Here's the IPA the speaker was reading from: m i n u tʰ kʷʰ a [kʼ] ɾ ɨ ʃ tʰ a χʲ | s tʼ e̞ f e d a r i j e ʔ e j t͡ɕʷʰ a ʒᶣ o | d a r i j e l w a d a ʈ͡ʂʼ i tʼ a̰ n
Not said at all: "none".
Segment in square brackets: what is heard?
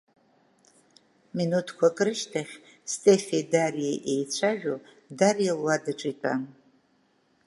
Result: kʼ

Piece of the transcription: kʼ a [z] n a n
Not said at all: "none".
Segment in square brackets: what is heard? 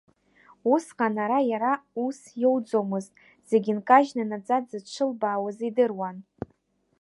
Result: ʒ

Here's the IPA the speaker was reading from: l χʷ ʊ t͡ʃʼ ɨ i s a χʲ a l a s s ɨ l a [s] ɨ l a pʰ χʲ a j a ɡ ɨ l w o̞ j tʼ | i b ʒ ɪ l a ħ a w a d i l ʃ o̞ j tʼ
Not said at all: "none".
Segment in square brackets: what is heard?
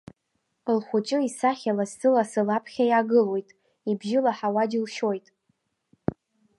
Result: s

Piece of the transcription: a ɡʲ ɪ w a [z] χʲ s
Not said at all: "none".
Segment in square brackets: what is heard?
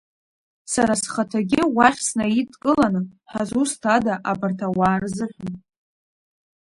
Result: none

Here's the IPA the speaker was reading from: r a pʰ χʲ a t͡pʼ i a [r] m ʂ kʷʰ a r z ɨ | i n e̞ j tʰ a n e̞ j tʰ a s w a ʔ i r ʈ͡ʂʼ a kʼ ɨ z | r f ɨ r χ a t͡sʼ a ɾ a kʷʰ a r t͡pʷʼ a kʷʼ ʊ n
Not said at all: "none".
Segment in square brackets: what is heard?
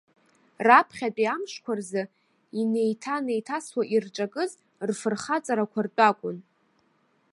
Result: none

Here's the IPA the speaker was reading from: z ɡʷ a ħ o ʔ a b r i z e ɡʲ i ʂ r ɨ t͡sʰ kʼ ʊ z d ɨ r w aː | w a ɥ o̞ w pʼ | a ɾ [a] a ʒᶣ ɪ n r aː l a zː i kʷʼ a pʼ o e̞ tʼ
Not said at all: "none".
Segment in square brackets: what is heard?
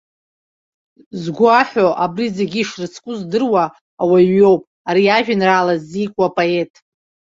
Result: i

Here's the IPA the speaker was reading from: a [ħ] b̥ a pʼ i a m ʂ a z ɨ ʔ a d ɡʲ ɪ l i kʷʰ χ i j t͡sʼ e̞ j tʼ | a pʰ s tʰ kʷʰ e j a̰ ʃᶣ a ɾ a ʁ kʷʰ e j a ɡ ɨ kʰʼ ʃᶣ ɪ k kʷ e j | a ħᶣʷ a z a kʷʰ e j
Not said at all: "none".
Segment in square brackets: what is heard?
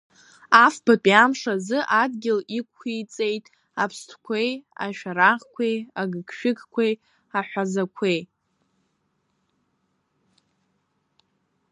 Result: f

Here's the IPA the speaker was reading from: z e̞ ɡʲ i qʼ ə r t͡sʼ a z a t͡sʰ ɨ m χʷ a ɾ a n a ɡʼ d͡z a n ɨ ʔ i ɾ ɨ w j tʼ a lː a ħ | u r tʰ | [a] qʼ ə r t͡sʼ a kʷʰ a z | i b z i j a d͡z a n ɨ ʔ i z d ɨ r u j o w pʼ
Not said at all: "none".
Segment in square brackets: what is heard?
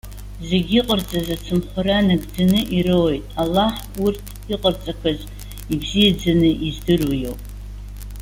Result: i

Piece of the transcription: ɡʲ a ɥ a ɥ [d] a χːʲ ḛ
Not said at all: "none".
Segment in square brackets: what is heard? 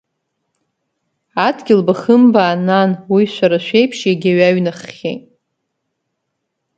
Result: n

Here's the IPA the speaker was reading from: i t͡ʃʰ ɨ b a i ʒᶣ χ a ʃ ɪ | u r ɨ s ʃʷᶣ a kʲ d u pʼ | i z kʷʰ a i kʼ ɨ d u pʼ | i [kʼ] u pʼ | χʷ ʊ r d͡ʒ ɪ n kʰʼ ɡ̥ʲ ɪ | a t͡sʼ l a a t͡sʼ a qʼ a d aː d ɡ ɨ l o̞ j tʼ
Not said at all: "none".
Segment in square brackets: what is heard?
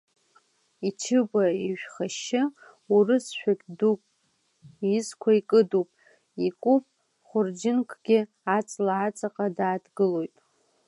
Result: kʼ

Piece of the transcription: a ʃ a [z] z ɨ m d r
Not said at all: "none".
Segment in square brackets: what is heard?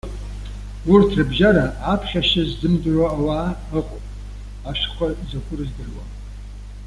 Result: z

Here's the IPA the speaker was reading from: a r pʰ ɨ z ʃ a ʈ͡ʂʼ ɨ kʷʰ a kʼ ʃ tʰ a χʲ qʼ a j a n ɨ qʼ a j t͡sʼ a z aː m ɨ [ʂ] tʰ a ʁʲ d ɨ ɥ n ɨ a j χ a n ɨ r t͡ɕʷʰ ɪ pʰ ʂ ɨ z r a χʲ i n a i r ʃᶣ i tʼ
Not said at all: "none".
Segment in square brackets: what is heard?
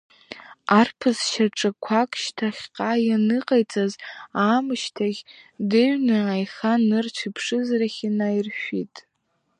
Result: ʃ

